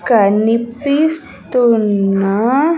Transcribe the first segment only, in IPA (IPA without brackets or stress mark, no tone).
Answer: k